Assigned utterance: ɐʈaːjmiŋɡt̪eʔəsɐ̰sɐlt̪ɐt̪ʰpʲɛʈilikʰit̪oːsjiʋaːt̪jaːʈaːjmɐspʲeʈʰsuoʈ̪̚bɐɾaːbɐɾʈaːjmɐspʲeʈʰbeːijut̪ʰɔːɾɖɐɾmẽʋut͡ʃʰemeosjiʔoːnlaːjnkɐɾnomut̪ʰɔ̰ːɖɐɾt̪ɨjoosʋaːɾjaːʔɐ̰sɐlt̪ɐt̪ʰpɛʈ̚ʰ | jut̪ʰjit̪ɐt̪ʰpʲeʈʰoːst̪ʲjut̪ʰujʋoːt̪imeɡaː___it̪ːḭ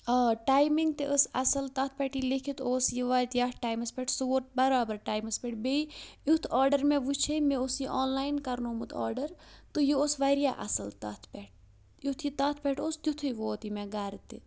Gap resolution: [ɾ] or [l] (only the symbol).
ɾ